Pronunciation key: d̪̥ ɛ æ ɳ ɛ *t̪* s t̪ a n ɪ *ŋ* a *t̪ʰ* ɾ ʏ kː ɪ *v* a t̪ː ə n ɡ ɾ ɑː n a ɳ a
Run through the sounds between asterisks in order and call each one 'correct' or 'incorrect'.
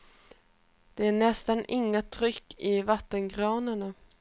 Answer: incorrect, incorrect, correct, correct

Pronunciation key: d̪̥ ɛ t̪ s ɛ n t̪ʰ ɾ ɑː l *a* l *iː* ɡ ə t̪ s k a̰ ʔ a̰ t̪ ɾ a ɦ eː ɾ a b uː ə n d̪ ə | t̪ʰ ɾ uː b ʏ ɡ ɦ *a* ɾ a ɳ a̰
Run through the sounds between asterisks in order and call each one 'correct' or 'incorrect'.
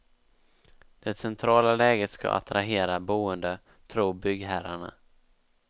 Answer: correct, incorrect, incorrect

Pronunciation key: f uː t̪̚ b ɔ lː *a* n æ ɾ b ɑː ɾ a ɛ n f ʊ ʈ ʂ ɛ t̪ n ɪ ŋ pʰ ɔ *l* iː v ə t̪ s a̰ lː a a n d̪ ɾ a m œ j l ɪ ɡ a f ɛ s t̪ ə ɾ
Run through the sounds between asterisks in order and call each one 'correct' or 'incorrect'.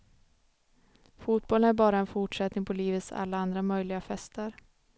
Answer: incorrect, correct

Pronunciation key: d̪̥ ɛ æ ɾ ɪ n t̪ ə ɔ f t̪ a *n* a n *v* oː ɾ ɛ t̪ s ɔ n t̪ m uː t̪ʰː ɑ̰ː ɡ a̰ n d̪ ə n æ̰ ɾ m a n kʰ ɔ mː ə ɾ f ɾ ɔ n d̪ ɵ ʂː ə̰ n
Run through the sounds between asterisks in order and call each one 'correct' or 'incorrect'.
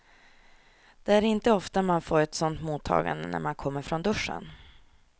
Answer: incorrect, incorrect

